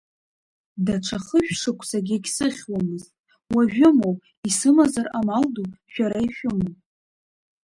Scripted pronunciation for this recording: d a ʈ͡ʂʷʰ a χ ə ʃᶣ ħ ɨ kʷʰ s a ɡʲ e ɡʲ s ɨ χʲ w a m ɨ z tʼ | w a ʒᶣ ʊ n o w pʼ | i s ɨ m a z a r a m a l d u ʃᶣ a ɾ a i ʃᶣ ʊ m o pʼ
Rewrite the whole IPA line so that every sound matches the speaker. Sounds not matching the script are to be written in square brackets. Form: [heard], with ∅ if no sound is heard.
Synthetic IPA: d a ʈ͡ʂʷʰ a χ ə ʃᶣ [ʂ] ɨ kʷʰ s a ɡʲ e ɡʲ s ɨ χʲ w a m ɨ z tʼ | w a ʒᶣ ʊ [m] o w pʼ | i s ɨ m a z a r a m a l d u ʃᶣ a ɾ a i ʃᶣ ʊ m o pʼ